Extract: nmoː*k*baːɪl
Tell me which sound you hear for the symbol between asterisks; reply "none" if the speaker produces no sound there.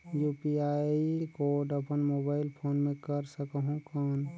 none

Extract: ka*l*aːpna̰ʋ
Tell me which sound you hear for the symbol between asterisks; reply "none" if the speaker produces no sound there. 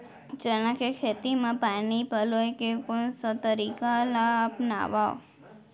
l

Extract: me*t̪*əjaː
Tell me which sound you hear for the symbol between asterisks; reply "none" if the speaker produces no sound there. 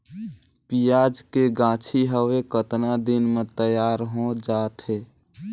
t̪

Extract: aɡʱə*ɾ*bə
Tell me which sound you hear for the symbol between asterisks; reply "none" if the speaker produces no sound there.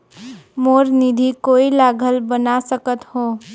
l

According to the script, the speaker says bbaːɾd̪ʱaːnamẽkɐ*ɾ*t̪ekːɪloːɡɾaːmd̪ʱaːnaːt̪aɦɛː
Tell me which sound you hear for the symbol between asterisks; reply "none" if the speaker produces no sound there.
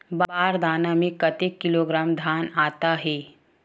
none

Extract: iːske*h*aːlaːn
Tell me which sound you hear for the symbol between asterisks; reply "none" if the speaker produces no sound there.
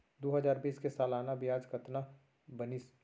s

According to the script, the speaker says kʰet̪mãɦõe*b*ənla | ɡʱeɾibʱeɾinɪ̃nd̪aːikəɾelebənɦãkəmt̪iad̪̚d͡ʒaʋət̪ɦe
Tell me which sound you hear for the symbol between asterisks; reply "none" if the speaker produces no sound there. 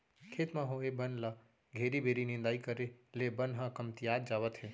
b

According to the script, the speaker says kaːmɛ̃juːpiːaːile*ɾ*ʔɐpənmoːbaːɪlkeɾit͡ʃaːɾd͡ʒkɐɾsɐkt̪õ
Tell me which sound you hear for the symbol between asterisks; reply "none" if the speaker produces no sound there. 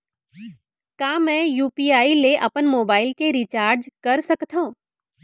none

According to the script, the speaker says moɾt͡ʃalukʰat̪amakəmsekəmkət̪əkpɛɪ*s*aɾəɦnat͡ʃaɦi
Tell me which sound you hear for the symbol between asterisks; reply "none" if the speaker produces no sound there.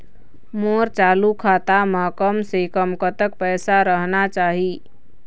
s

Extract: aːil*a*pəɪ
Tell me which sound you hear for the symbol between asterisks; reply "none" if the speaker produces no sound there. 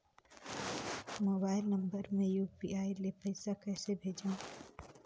e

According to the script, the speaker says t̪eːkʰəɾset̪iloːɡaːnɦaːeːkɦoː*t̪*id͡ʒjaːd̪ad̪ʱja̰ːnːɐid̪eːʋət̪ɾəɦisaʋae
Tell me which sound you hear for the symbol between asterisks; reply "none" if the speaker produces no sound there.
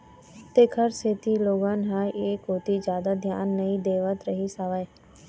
t̪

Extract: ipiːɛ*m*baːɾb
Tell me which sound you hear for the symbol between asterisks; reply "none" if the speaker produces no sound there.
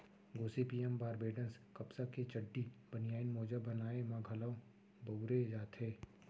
m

